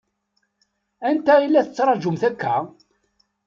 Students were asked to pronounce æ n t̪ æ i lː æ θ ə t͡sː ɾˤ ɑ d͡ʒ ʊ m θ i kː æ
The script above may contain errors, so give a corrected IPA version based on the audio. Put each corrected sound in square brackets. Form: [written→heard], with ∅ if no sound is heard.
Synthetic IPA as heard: æ n t̪ æ i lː æ θ ə t͡sː ɾˤ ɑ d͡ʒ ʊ m θ [i→æ] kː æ